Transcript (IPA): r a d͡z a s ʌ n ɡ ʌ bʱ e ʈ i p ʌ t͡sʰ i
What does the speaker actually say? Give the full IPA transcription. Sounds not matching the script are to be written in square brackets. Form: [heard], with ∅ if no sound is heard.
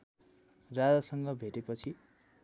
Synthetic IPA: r a d͡z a s ʌ [ŋ] ɡ ʌ bʱ e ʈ [e] p ʌ t͡sʰ i